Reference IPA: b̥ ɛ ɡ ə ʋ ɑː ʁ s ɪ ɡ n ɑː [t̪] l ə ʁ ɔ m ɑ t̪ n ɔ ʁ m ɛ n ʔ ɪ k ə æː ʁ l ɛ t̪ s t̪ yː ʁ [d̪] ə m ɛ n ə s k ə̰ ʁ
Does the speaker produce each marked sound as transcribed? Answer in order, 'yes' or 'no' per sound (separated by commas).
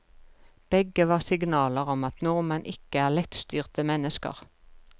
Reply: no, no